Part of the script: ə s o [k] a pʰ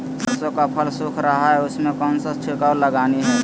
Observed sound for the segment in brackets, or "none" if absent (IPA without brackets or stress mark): k